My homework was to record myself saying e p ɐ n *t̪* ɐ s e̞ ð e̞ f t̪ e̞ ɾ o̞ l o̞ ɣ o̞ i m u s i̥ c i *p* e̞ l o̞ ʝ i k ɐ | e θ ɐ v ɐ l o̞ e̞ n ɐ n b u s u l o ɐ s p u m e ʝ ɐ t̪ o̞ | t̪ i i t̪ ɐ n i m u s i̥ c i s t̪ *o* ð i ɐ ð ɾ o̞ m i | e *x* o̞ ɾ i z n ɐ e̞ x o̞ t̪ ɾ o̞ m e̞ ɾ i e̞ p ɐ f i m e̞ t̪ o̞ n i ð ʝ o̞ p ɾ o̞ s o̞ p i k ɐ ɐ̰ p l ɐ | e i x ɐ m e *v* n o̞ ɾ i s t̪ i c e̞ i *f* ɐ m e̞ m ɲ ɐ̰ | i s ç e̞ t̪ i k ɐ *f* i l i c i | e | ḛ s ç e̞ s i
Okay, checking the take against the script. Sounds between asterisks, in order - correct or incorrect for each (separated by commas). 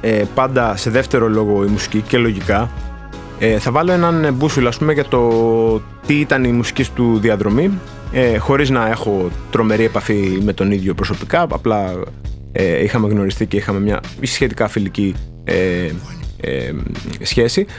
incorrect, incorrect, incorrect, correct, incorrect, incorrect, correct